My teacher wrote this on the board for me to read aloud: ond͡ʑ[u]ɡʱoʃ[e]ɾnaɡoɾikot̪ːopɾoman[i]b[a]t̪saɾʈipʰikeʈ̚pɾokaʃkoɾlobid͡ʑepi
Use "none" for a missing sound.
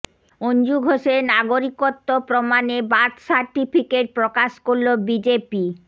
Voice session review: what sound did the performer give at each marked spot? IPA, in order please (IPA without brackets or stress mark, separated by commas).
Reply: u, e, e, a